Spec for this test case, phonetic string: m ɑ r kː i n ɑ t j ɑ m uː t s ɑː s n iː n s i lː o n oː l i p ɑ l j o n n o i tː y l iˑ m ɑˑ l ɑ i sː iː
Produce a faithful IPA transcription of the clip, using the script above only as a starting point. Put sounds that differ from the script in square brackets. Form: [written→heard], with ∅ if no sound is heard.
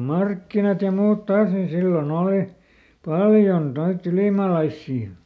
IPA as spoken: m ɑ r kː i n ɑ t j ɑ m uː t [s→t] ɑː s n [iː→i] n s i lː o n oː l i p ɑ l j o n n o i tː y l iˑ m ɑˑ l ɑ i sː iː